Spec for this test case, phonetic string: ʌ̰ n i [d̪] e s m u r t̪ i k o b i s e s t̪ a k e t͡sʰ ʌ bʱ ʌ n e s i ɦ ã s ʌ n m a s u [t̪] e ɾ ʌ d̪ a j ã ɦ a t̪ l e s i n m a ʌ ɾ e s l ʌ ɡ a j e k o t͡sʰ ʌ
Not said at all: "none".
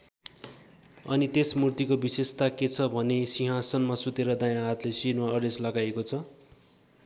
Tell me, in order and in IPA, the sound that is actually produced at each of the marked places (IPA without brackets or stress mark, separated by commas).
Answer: t̪, t̪